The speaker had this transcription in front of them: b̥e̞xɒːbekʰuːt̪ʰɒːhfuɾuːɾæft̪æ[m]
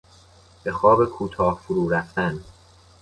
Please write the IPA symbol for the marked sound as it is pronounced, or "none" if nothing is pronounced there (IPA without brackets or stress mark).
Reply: n